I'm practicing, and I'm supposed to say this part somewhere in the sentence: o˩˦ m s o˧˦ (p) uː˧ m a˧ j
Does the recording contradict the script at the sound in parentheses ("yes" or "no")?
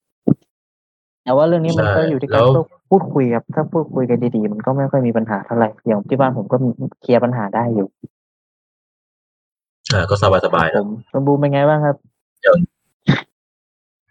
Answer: yes